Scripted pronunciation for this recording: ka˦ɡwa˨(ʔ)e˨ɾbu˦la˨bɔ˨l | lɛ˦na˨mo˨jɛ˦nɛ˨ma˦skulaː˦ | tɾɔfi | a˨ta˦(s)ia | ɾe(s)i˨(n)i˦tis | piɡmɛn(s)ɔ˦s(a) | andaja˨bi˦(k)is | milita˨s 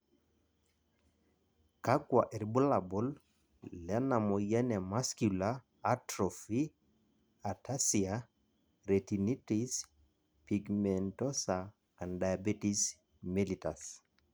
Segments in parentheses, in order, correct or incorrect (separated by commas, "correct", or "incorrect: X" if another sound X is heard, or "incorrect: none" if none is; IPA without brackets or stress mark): correct, correct, incorrect: t, correct, incorrect: t, correct, incorrect: t